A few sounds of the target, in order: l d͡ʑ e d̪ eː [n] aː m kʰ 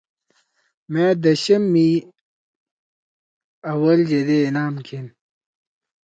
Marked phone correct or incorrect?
correct